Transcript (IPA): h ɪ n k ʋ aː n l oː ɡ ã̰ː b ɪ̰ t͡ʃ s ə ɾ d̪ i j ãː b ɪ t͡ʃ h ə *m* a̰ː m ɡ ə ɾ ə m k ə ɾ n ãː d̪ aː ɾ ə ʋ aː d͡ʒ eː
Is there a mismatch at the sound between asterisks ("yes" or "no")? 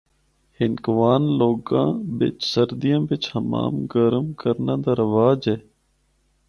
no